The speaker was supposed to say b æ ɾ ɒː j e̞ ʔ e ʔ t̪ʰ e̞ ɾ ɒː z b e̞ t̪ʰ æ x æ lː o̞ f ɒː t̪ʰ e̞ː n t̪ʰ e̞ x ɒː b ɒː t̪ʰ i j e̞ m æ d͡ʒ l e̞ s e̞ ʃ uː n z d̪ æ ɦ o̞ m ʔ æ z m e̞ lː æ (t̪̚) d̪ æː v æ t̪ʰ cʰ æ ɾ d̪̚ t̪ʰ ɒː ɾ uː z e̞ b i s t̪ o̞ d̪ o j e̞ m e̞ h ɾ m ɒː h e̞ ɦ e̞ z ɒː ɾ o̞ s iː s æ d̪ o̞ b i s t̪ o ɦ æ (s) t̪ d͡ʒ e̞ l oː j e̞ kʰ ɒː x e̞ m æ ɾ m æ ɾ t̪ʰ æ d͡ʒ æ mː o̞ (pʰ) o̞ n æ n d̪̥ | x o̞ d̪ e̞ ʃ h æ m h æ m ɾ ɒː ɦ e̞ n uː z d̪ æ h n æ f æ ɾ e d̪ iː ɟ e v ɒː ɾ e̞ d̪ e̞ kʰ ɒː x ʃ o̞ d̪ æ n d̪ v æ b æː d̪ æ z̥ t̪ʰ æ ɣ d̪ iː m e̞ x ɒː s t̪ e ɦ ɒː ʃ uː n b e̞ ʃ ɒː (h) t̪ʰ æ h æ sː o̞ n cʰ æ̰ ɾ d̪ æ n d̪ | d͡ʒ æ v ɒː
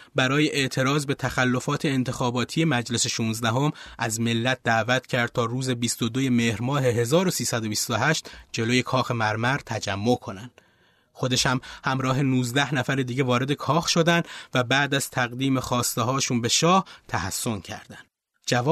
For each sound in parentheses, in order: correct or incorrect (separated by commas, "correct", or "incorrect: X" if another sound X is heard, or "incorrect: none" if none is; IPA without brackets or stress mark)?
correct, incorrect: ʃ, incorrect: kʰ, correct